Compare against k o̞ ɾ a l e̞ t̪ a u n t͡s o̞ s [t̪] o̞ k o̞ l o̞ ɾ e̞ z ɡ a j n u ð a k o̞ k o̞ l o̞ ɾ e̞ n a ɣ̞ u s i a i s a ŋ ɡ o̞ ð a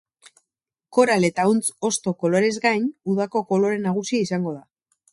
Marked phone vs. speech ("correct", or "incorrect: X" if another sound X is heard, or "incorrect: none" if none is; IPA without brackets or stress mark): correct